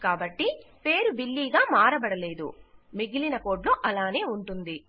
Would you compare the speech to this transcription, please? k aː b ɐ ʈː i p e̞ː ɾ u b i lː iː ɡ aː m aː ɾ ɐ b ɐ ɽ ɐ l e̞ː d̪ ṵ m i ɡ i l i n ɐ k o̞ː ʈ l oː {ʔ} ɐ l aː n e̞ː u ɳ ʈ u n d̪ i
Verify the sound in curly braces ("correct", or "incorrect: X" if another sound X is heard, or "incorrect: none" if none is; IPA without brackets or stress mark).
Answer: correct